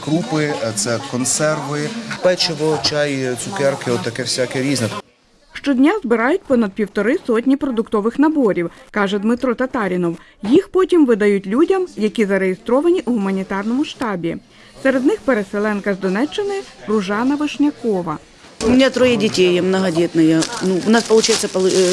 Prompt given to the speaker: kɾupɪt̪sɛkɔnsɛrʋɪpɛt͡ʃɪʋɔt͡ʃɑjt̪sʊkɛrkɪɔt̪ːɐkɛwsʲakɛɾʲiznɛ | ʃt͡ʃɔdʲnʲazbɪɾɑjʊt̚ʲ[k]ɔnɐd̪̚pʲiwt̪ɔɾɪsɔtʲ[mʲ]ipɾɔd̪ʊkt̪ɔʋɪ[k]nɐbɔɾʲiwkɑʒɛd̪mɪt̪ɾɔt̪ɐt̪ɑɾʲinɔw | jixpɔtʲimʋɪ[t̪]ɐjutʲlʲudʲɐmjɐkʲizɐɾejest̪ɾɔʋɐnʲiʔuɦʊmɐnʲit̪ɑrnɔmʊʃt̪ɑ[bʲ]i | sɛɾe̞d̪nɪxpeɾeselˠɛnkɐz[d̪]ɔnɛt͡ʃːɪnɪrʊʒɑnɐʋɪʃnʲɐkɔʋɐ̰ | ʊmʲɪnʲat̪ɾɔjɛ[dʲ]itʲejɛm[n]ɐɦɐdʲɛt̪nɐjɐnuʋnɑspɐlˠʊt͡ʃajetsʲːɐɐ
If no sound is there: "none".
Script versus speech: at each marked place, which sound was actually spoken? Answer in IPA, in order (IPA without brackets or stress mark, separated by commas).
p, nʲ, x, d̪, bʲ, d̪, dʲ, n